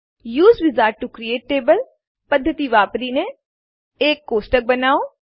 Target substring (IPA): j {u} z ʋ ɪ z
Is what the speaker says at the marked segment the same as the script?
no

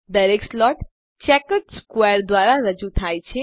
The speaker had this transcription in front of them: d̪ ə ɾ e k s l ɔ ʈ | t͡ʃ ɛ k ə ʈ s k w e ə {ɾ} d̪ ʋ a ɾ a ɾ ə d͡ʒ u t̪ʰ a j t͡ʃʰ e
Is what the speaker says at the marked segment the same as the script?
yes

